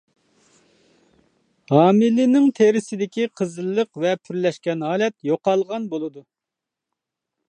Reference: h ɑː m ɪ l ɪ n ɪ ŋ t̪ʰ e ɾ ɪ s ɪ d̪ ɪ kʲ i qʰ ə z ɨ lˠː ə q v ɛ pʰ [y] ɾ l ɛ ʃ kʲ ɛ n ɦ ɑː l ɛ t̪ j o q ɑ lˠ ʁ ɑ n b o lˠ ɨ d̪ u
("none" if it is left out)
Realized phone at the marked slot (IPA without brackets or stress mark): y